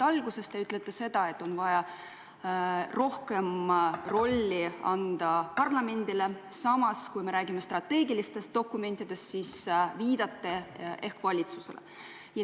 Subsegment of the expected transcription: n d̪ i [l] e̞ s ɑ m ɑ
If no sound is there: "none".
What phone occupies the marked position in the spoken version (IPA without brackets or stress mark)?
l